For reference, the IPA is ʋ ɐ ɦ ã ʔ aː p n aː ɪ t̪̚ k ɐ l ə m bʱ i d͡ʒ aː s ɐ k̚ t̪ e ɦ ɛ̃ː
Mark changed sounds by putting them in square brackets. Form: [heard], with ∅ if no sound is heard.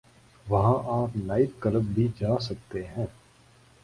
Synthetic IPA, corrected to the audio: ʋ ɐ ɦ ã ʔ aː p n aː ɪ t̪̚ k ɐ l ə [b] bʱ i d͡ʒ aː s ɐ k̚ t̪ e ɦ ɛ̃ː